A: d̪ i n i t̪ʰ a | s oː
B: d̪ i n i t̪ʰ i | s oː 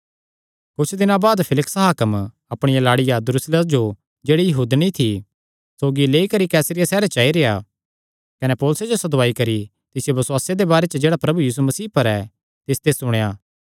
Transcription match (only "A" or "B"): B